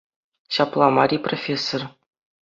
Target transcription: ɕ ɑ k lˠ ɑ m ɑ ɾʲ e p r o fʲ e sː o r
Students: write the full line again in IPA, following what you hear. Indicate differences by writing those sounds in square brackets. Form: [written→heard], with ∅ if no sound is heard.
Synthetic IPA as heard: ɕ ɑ [k→p] lˠ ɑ m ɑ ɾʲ [e→i] p r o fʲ e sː o r